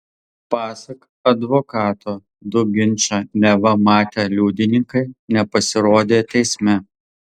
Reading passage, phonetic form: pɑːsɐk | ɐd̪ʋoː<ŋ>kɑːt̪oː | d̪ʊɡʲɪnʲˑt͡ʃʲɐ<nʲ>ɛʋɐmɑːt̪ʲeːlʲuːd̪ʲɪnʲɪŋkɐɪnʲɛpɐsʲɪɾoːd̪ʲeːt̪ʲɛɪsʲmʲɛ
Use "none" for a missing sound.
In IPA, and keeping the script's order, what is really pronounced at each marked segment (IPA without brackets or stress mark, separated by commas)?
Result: none, nʲ